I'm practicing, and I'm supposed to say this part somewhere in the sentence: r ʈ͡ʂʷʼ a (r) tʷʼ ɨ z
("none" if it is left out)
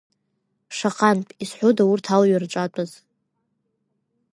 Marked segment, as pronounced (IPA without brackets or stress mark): none